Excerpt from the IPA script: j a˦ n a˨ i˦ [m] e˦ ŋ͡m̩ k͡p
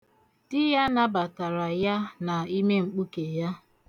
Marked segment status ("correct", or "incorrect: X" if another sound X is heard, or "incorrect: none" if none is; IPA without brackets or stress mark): correct